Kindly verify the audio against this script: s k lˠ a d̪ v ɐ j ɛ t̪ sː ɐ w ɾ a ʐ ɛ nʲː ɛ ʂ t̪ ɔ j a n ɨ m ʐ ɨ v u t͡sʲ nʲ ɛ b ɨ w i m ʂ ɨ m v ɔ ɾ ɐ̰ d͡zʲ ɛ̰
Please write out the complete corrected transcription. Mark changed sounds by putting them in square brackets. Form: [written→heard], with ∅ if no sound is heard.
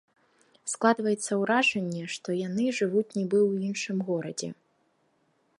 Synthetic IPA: s k lˠ a d̪ v ɐ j ɛ t̪ sː ɐ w ɾ a ʐ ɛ nʲː ɛ ʂ t̪ ɔ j a n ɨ [m→∅] ʐ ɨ v u t͡sʲ nʲ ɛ b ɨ w i [m→n] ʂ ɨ m [v→ɣ] ɔ ɾ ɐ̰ d͡zʲ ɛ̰